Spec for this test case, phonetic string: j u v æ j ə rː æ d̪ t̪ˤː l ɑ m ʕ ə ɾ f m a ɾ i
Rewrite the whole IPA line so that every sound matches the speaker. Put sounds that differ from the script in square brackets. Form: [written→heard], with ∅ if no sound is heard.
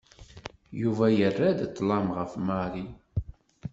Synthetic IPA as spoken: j u v æ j ə rː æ d̪ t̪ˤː l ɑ m [ʕ→ʁ] ə [ɾ→∅] f m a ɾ i